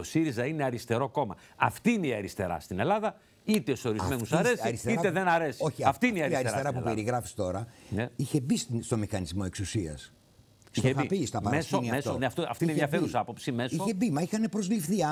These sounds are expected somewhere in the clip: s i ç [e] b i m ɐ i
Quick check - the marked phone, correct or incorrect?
correct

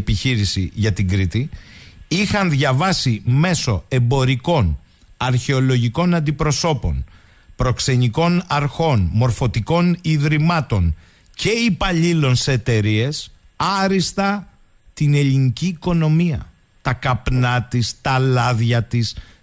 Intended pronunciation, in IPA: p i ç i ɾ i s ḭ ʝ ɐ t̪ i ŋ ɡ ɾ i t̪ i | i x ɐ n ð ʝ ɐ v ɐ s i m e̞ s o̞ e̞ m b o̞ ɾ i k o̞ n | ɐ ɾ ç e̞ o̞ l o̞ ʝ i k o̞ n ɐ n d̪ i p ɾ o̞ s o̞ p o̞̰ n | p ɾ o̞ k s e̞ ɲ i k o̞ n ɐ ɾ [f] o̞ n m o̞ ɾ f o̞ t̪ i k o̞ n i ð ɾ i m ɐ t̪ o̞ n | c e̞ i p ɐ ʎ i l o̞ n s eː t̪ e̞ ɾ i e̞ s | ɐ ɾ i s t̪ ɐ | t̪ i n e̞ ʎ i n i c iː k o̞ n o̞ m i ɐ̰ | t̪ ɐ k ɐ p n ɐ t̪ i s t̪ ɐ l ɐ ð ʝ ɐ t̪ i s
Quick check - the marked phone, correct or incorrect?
incorrect: x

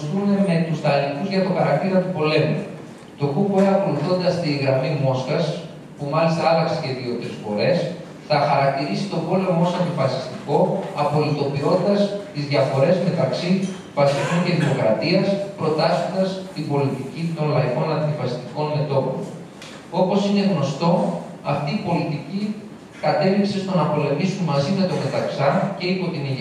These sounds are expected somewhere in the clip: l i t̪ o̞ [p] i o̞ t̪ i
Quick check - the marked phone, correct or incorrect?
correct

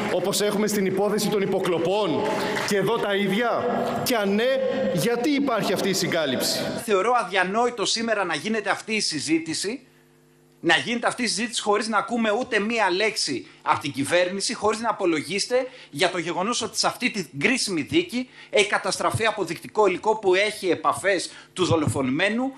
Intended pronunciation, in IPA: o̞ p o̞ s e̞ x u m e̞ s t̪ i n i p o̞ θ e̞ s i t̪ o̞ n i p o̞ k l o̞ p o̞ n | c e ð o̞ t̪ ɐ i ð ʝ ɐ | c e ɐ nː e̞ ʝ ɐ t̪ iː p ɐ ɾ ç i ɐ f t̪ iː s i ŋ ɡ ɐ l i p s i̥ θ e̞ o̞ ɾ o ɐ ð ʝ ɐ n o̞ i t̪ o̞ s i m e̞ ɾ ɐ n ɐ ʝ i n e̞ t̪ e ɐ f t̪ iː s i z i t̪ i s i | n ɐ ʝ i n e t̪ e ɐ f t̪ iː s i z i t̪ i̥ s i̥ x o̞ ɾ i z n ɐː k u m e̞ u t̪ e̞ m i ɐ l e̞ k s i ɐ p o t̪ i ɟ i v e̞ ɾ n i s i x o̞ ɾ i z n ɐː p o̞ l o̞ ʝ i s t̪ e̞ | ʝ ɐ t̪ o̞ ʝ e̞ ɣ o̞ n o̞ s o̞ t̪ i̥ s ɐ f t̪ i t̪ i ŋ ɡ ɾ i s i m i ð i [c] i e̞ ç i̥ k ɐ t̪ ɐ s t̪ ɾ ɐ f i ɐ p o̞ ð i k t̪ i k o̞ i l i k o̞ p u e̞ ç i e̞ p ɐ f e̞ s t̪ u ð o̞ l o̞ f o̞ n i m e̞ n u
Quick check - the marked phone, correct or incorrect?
correct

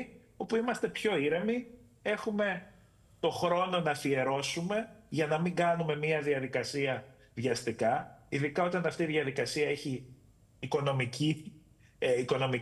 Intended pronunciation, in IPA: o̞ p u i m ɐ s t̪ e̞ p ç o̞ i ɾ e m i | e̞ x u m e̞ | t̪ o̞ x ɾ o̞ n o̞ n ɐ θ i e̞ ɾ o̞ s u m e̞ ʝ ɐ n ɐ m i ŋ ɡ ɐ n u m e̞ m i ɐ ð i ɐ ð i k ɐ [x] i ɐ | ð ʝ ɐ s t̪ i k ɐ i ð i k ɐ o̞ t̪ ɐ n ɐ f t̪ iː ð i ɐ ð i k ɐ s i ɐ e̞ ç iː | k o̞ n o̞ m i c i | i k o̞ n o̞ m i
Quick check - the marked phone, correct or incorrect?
incorrect: s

